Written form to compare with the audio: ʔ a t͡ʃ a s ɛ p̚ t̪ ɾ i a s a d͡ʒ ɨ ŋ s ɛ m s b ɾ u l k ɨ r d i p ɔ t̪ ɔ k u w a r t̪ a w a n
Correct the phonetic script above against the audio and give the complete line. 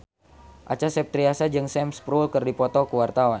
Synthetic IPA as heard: ʔ a t͡ʃ a s ɛ p̚ t̪ ɾ i a s a d͡ʒ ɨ ŋ s ɛ m s p ɾ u l k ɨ r d i p ɔ t̪ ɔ k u w a r t̪ a w a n